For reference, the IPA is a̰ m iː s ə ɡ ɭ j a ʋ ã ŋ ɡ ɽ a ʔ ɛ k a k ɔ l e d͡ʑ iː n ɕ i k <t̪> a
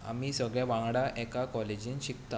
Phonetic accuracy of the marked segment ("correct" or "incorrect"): correct